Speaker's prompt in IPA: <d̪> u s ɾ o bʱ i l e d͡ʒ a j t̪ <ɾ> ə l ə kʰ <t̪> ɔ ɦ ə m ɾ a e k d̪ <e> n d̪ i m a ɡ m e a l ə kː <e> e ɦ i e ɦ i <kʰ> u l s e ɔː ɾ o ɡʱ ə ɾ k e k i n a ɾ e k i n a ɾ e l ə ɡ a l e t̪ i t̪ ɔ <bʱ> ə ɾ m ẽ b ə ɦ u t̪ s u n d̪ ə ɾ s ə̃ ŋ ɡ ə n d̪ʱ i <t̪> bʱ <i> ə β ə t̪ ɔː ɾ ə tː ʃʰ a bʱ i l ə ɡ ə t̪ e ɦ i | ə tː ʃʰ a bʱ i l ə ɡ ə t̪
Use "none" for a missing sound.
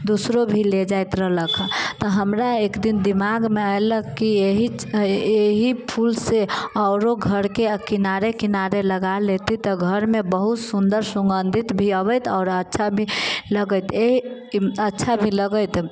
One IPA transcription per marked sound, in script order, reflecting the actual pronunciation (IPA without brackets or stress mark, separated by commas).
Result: d̪, ɾ, t̪, i, i, pʰ, ɡʱ, t̪, i